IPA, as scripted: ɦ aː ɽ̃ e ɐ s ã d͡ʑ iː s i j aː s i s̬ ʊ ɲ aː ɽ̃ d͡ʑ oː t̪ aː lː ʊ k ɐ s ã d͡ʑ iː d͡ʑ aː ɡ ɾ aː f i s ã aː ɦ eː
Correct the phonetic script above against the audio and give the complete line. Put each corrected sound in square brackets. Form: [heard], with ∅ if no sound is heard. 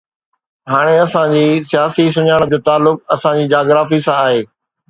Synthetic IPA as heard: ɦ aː ɽ̃ e ɐ s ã d͡ʑ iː s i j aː s i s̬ ʊ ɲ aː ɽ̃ d͡ʑ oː t̪ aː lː ʊ k ɐ s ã d͡ʑ iː d͡ʑ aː ɡ ɾ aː f i s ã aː ɦ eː